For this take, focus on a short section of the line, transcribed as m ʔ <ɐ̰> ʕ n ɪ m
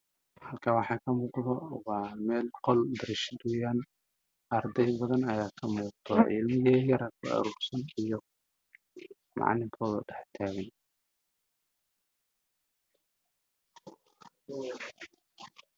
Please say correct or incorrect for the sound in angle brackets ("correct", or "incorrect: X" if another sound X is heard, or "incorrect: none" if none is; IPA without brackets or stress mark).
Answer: incorrect: ɑ̰